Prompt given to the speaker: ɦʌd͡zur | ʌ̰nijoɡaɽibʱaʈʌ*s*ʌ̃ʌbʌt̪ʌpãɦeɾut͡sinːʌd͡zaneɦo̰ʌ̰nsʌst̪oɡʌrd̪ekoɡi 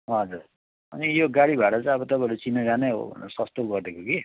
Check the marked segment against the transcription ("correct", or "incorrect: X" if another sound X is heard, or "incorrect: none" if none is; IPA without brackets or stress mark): incorrect: t͡s